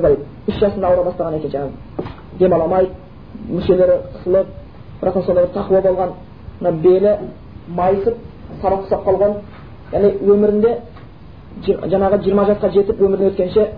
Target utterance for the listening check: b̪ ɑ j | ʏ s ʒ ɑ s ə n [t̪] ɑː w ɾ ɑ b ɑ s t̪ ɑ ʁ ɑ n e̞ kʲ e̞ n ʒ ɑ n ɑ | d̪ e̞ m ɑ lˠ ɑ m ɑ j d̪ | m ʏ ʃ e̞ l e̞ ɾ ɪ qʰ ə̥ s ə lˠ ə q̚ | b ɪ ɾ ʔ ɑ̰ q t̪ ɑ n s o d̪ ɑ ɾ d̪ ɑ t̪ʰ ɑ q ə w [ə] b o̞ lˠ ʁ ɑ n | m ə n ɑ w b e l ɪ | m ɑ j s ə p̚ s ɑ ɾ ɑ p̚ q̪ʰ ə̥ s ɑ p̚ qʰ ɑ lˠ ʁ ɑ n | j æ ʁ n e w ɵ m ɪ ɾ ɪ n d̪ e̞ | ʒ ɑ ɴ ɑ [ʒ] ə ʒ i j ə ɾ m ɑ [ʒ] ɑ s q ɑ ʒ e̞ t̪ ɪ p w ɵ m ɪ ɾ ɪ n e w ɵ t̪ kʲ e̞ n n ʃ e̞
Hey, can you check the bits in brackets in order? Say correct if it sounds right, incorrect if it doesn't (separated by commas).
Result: incorrect, incorrect, incorrect, correct